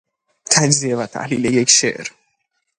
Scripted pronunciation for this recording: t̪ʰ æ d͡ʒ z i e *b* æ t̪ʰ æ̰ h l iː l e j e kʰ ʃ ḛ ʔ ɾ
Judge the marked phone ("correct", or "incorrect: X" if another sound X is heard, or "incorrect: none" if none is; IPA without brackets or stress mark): incorrect: v